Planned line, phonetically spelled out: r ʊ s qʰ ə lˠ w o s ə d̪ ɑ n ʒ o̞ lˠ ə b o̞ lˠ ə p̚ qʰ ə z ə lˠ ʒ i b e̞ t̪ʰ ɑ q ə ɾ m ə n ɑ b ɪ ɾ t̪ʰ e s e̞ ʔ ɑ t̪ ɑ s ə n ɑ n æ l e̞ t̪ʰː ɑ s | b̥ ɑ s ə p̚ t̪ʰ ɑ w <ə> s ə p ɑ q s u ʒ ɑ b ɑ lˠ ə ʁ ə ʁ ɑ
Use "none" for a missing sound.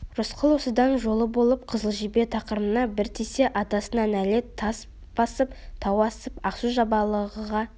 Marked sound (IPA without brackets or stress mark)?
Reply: ɑ